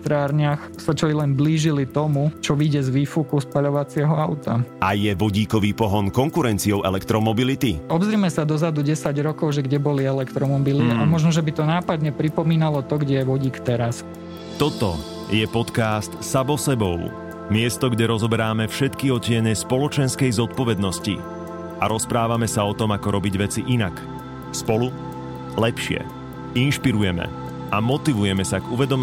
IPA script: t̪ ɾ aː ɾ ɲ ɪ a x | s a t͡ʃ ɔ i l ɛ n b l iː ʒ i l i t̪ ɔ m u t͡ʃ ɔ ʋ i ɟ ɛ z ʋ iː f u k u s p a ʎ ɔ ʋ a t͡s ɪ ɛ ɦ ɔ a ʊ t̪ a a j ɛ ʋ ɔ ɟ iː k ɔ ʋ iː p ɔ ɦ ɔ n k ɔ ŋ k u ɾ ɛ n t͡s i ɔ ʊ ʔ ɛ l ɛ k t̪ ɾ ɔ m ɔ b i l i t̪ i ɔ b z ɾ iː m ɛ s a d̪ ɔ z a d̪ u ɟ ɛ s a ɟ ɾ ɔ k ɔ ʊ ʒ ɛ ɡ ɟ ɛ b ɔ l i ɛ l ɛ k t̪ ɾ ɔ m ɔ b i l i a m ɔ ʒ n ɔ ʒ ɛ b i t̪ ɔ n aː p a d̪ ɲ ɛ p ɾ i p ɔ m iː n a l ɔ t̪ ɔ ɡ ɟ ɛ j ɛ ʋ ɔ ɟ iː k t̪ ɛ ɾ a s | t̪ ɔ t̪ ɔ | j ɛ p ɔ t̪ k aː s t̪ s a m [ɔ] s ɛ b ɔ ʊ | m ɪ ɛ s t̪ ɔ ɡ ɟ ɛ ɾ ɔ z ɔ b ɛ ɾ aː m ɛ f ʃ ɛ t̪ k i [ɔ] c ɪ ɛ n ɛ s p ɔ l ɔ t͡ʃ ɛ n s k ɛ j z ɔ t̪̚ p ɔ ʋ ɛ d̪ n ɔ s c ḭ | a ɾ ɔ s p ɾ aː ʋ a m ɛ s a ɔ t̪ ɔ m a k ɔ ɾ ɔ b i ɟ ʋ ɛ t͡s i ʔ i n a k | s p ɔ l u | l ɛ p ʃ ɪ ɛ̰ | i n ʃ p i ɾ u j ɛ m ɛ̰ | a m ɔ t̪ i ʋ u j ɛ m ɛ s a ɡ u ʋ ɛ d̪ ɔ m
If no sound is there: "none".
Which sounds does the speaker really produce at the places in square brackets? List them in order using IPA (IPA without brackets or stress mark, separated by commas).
ɔ, ɔ